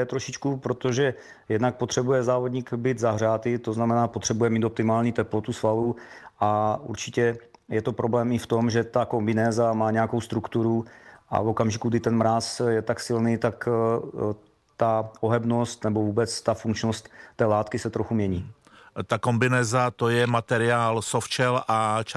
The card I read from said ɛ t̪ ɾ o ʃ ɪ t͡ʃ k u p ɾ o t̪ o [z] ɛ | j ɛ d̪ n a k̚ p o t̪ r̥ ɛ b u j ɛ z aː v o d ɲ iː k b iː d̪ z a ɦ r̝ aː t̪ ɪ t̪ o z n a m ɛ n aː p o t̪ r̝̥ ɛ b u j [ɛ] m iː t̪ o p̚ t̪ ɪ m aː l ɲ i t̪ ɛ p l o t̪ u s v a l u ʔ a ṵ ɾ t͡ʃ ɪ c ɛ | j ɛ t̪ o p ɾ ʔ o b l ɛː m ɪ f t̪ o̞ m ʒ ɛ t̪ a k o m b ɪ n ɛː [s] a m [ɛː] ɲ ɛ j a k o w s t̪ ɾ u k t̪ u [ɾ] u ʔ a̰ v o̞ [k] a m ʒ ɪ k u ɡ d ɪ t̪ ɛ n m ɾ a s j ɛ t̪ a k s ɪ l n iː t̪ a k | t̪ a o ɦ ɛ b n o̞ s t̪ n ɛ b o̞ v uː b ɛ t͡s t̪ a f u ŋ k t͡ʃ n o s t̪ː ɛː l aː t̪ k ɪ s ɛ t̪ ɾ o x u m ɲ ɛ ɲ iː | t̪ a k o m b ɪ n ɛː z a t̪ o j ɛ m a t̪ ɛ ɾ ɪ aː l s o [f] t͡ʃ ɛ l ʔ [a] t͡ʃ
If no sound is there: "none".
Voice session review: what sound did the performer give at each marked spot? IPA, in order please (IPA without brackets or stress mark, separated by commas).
ʒ, ɛ, z, aː, ɾ, k, f, a